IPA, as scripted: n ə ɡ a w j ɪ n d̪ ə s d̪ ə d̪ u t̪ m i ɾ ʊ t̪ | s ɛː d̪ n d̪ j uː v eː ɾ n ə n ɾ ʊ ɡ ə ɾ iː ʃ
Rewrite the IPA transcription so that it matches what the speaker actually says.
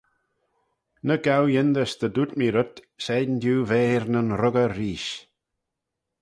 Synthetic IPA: n ə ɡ a w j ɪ n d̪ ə s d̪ ə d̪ u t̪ m i ɾ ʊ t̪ | s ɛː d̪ n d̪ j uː v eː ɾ n ə n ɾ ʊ ɡ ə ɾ iː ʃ